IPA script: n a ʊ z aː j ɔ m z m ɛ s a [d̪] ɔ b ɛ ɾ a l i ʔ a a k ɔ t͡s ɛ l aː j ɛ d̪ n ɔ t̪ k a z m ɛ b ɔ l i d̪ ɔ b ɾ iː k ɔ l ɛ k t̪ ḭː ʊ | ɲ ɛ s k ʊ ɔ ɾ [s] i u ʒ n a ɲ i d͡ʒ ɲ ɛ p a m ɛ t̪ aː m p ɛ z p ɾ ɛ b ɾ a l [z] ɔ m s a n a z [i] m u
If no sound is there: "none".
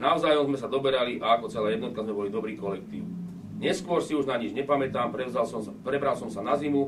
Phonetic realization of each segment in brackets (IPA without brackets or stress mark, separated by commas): d̪, s, s, i